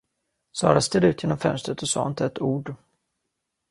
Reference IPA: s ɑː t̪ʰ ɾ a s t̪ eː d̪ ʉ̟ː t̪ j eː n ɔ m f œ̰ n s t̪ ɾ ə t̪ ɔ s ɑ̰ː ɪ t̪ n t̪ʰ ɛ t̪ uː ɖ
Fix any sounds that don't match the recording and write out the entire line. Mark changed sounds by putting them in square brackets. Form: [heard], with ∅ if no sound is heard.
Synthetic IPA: s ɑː [∅] ɾ a s t̪ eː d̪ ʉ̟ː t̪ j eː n ɔ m f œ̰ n s t̪ ɾ ə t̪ ɔ s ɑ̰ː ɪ [∅] n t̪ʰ ɛ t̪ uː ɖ